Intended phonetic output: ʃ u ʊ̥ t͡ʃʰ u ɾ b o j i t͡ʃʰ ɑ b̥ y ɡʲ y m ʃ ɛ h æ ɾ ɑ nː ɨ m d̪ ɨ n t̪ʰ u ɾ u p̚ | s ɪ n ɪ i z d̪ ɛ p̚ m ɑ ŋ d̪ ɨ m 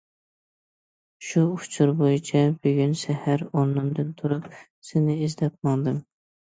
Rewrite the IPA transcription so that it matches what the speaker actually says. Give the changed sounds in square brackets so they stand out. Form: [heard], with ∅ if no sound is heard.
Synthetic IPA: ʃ u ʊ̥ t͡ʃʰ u ɾ b o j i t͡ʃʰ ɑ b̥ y ɡʲ y [n] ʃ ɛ h æ ɾ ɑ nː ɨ m d̪ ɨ n t̪ʰ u ɾ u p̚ | s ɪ n ɪ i z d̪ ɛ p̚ m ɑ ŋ d̪ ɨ m